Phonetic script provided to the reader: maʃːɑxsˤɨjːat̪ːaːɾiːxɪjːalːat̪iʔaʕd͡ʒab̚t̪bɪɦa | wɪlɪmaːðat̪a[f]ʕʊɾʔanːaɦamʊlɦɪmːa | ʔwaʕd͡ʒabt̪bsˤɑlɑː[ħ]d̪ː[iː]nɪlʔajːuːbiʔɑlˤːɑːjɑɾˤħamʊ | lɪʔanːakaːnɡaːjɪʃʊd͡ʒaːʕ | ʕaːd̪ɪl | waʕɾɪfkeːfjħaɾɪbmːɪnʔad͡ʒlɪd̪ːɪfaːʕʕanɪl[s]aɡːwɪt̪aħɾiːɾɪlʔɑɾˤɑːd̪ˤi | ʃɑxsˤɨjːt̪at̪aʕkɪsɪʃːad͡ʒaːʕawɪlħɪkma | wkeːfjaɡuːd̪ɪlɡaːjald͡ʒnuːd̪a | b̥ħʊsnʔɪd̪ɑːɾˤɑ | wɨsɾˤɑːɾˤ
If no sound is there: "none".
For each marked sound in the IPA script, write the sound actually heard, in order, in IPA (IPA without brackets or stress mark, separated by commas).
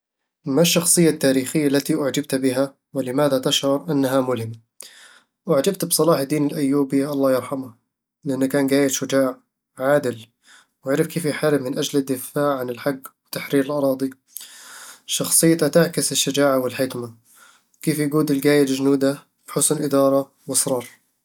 ʃ, ħ, iː, ħ